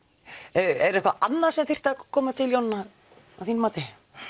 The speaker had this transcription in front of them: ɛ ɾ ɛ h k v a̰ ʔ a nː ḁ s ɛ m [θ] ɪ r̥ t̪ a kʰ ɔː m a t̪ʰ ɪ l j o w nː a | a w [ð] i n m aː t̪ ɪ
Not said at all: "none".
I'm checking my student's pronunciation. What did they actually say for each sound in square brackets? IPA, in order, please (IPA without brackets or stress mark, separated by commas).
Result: θ, θ